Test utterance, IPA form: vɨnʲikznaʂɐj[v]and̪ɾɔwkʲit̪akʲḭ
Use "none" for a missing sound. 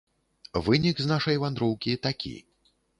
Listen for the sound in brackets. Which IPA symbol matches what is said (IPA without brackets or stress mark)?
v